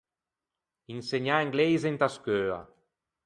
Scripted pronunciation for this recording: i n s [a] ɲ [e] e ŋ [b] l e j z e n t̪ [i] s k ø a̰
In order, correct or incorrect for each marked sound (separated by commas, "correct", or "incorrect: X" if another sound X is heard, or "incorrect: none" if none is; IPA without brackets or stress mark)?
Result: incorrect: e, incorrect: a, incorrect: ɡ, incorrect: a